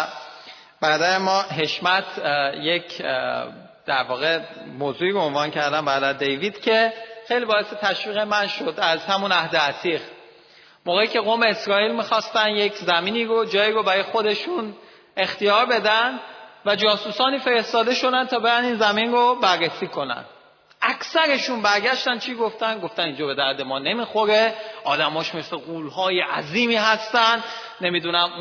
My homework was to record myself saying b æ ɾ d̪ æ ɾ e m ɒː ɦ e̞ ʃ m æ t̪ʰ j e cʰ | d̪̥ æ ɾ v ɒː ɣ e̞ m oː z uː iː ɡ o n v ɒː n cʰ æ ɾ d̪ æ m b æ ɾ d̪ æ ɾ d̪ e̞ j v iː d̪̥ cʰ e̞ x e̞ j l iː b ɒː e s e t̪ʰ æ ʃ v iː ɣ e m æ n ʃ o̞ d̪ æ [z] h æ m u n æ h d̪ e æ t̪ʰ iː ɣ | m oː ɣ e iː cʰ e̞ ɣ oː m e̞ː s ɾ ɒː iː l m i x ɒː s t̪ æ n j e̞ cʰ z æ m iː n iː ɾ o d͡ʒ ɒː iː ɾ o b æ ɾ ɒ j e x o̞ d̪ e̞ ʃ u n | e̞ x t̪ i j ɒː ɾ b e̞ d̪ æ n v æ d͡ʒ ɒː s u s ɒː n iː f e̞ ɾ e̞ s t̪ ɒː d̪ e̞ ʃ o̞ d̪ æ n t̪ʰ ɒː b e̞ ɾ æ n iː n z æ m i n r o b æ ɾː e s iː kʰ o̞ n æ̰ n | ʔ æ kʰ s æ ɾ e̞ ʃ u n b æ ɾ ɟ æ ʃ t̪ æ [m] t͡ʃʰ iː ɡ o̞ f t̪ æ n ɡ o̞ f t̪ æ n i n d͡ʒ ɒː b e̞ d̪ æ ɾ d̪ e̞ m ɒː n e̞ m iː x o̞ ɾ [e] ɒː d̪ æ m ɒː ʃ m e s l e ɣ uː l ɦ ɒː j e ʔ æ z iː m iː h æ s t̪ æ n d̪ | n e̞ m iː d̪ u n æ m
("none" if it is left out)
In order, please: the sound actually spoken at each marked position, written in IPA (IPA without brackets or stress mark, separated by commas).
z, n, e